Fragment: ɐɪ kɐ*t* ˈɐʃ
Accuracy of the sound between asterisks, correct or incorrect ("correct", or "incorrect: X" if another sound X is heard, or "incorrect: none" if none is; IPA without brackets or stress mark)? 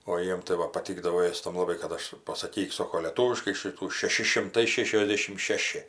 correct